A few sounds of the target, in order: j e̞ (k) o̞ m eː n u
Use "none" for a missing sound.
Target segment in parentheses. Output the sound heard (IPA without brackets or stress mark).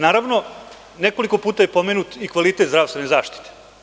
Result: p